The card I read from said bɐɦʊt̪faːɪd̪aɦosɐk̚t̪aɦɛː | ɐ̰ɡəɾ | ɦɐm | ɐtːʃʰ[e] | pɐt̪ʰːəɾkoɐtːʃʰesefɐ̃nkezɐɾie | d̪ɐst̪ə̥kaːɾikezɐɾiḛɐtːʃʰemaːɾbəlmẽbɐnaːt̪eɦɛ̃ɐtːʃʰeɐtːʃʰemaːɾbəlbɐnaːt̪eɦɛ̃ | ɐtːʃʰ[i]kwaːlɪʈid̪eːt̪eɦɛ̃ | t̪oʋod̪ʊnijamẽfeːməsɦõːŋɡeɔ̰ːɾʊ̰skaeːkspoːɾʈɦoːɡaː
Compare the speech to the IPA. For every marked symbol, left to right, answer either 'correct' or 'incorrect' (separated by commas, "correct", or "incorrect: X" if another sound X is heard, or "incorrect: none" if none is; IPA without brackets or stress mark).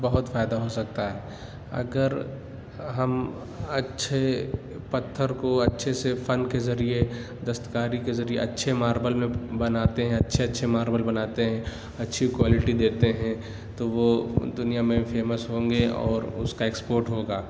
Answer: correct, correct